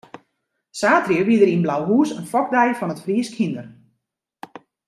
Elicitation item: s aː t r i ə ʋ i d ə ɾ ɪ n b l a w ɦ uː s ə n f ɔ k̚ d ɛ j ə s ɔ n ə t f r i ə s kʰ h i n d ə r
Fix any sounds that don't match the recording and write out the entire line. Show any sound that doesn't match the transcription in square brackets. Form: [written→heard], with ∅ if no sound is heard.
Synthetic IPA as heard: s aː t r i ə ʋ i d ə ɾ [ɪ→i] n b l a w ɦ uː s ə n f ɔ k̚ d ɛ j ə [s→f] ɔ n ə t f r i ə s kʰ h i n d ə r